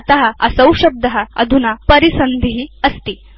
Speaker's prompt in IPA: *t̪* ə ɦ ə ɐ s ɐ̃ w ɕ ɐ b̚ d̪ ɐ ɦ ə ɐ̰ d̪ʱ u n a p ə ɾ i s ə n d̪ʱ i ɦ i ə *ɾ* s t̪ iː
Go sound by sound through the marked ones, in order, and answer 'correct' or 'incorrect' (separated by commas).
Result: correct, incorrect